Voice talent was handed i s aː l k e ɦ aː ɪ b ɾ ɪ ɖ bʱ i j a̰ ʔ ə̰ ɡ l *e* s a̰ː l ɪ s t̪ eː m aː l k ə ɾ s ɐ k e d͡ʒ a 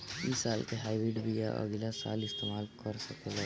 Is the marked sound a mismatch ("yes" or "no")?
yes